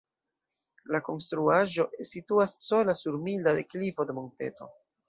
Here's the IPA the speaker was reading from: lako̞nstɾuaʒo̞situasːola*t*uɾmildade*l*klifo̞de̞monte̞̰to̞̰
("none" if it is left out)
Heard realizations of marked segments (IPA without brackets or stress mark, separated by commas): s, none